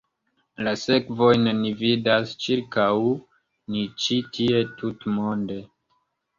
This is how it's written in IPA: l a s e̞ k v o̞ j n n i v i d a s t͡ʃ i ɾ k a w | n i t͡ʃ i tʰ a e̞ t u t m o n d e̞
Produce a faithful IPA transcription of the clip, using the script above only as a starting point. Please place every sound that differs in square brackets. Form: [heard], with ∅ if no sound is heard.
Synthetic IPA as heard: l a s e̞ k v o̞ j n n i v i d a s t͡ʃ i ɾ k a w | n i t͡ʃ i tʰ [i] e̞ t u t m o n d e̞